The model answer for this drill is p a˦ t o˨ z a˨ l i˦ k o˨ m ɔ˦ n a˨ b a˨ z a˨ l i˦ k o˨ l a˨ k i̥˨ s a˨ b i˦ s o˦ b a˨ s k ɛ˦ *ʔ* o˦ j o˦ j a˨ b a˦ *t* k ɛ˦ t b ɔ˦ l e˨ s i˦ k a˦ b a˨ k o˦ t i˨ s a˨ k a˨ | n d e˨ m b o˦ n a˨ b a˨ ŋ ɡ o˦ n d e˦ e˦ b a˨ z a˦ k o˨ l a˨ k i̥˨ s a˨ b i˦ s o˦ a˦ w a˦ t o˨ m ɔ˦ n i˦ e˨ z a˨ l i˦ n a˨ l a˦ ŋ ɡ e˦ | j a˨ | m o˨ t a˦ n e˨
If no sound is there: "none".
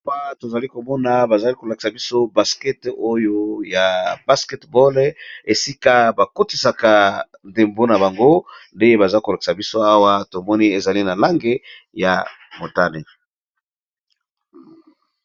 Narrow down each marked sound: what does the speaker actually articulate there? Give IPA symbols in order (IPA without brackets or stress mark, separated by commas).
t, s